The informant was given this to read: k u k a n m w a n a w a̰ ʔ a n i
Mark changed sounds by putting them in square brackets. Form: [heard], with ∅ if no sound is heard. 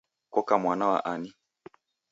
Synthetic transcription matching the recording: k [ɔ] k a [∅] m w a n a w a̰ ʔ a n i

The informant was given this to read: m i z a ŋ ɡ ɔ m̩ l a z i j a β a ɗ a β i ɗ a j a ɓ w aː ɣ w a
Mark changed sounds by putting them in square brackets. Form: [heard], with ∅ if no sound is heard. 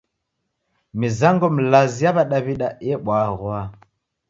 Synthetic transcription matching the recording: m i z a ŋ ɡ ɔ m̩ l a z i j a β a ɗ a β i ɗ a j [ɛ] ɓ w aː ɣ w a

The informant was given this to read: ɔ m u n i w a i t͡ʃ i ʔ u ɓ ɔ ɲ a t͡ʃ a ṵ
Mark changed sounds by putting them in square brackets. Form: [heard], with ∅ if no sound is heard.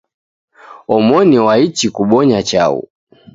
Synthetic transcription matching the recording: ɔ m [ɔ] n i w a i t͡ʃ i [k] u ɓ ɔ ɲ a t͡ʃ a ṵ

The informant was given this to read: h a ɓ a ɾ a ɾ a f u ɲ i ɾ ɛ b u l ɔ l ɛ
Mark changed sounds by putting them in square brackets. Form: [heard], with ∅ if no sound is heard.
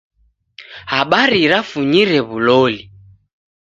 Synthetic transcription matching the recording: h a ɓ a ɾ [i] ɾ a f u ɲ i ɾ ɛ [β] u l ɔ l [i]

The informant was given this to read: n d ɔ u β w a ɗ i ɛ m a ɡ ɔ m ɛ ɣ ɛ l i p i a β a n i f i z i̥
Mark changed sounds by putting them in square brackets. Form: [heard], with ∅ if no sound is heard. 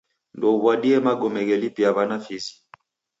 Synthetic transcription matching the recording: n d ɔ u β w a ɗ i ɛ m a ɡ ɔ m ɛ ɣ ɛ l i p i a β a n [a] f i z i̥

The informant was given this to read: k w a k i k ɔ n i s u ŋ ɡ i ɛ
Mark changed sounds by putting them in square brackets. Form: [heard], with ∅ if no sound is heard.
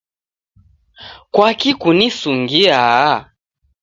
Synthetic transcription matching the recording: k w a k i k [u] n i s u ŋ ɡ i [a]

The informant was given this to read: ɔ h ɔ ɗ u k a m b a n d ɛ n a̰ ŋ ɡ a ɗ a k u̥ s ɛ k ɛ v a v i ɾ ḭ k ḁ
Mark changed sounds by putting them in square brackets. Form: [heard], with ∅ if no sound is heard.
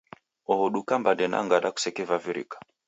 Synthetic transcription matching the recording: ɔ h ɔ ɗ u k a m b a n d ɛ n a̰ ŋ ɡ a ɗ a k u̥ s ɛ k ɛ v a v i ɾ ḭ k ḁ

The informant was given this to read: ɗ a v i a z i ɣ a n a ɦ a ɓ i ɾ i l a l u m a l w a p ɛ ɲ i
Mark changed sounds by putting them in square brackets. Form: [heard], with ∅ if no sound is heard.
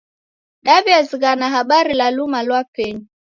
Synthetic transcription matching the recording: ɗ a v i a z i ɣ a n a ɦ a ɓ [a] ɾ i l a l u m a l w a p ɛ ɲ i

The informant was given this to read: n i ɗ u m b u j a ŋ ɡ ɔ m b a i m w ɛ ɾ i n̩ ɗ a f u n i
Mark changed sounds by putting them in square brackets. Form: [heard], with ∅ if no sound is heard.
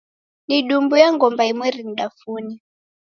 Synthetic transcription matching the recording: n i ɗ u m b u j a ŋ ɡ ɔ m b a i m w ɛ ɾ i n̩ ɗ a f u n i

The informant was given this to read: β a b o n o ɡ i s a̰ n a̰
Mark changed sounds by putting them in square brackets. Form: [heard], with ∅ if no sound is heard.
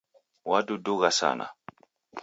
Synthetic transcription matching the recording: [w] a [d] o [d] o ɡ [a] s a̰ n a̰

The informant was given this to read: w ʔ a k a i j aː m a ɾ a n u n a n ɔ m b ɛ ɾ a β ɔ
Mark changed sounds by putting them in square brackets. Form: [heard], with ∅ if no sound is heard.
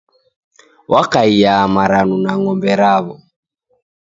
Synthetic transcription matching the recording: w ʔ a k a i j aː m a ɾ a n u n a [ŋ] ɔ m b ɛ ɾ a β ɔ

